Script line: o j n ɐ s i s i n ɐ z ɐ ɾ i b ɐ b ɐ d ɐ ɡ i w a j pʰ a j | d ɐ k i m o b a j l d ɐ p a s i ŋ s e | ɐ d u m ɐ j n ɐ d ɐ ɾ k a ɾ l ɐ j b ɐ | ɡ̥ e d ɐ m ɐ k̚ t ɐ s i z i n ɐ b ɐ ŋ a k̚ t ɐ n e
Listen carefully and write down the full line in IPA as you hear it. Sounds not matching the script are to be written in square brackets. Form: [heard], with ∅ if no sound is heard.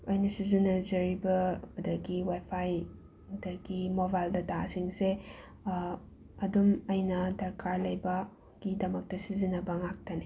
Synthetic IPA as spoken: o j n ɐ s i [z] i n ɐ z ɐ ɾ i b ɐ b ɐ d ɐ ɡ i w a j pʰ a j | d ɐ [ɡ] i m o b a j l d ɐ [t] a s i ŋ s e | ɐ d u m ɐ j n ɐ d ɐ ɾ k a ɾ l ɐ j b ɐ | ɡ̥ [i] d ɐ m ɐ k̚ t ɐ s i z i n ɐ b ɐ ŋ a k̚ t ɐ n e